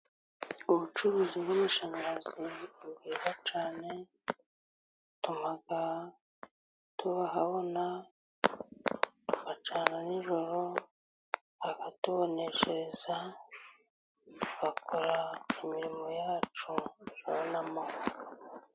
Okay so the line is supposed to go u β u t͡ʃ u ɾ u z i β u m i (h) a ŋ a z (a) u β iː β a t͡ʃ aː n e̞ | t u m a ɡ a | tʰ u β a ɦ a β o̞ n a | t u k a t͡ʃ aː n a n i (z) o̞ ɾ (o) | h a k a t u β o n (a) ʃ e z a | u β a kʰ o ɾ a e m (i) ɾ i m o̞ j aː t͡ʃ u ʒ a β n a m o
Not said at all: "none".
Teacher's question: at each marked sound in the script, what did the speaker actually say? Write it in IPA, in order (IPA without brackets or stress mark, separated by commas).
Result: ʃ, i, ʒ, o, e, i